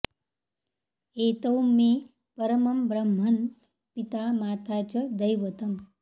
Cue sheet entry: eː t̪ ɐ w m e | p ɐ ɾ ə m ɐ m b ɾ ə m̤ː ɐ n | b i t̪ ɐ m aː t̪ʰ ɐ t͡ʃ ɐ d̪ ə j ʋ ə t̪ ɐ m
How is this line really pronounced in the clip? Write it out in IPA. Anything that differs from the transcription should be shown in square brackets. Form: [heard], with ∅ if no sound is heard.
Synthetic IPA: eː t̪ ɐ w m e | p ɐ ɾ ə m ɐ m b ɾ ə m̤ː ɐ n | [p] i t̪ [a] m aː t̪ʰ [a] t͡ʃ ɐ d̪ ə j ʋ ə t̪ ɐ m